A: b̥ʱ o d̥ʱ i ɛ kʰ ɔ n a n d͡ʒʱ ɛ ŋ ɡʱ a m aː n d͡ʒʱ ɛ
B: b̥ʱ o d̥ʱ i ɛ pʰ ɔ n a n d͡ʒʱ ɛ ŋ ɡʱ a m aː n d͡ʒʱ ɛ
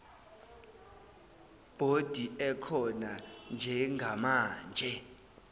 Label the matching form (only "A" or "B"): A